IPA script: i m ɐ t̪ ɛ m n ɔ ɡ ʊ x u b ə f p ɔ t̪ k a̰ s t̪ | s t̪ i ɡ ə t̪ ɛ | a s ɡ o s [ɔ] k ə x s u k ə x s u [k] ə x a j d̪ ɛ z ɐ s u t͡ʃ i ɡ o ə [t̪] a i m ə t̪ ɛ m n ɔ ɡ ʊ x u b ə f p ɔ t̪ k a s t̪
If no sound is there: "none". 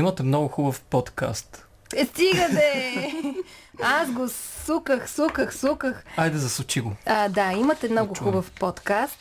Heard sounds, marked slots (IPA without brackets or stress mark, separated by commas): u, k, d̪